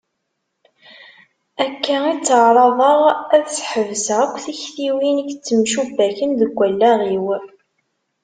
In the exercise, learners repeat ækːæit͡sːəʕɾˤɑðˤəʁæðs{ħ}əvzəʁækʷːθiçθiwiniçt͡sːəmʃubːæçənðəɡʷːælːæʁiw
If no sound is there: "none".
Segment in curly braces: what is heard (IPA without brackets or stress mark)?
ħ